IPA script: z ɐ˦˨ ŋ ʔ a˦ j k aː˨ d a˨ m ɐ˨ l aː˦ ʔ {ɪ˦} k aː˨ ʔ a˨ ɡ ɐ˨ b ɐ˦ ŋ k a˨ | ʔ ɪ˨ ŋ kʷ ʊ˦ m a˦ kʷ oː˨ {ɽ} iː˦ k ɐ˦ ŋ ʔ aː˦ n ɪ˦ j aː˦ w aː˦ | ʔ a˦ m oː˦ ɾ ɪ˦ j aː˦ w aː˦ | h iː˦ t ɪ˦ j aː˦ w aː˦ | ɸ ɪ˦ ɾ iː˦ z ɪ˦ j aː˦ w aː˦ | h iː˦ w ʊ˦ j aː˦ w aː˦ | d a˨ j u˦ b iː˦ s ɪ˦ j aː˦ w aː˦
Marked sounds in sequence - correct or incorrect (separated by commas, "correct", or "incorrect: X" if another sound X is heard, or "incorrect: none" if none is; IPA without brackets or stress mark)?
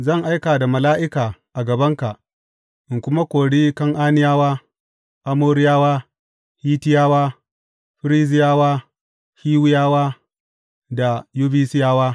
correct, correct